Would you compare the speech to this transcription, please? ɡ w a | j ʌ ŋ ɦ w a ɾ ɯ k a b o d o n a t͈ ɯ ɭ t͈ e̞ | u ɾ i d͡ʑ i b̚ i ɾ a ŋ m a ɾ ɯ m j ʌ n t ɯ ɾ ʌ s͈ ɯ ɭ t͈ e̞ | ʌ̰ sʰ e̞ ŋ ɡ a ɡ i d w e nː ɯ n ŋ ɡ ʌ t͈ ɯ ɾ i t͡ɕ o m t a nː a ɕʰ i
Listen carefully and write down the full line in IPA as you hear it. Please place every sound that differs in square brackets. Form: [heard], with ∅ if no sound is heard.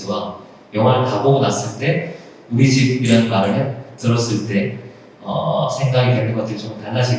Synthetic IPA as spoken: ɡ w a | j ʌ ŋ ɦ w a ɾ ɯ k a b o [ɡ] o n a [s͈] ɯ ɭ t͈ e̞ | u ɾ i d͡ʑ i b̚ i ɾ a [n] m a ɾ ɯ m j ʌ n t ɯ ɾ ʌ s͈ ɯ ɭ t͈ e̞ | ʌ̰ sʰ e̞ ŋ ɡ a ɡ i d w e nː ɯ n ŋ ɡ ʌ t͈ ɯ ɾ i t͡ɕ o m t a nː a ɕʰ i